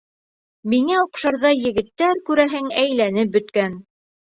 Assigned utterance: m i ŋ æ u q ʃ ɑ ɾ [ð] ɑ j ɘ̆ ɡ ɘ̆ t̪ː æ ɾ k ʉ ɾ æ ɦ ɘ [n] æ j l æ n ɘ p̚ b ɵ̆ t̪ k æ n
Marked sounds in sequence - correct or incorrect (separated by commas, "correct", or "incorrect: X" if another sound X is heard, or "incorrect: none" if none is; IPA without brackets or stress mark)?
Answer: correct, incorrect: ŋ